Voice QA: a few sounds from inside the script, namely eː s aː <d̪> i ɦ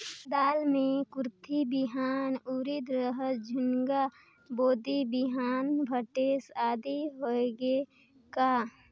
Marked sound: correct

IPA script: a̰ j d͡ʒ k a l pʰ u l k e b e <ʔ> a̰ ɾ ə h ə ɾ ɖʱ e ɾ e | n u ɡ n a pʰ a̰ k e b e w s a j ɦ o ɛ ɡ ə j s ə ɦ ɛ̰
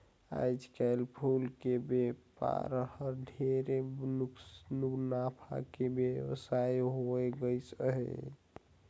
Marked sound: incorrect: p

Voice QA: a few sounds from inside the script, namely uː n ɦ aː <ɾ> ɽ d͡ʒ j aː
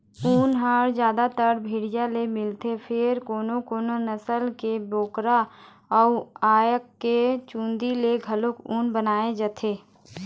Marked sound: incorrect: none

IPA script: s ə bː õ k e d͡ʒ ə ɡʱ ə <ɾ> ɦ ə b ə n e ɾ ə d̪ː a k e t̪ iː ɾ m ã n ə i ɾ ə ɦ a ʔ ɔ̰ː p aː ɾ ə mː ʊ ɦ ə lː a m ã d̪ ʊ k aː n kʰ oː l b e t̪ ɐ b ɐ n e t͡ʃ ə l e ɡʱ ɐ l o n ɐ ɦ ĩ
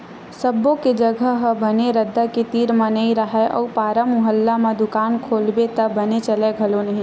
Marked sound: incorrect: none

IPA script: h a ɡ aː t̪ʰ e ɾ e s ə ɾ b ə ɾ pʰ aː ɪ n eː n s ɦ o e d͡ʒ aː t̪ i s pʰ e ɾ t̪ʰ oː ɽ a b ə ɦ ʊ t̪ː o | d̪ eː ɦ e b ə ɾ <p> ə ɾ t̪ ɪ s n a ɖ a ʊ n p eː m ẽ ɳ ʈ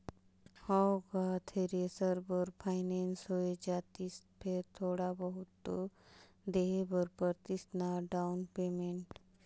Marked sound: correct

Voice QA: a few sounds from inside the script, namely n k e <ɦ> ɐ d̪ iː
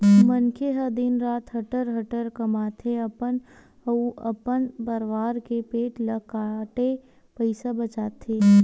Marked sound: correct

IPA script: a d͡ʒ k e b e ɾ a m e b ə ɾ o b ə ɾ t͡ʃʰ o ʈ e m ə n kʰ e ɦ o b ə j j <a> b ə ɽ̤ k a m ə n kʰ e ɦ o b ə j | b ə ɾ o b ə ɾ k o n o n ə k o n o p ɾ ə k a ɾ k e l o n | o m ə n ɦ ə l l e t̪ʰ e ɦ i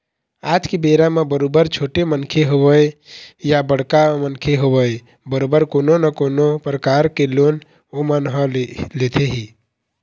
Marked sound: correct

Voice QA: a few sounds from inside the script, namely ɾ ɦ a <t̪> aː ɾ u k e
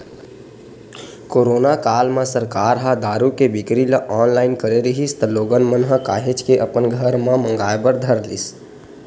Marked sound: incorrect: d̪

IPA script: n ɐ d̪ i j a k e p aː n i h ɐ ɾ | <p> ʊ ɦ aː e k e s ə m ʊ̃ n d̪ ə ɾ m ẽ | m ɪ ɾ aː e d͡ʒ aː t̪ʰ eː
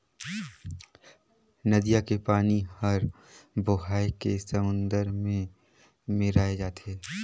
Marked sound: incorrect: b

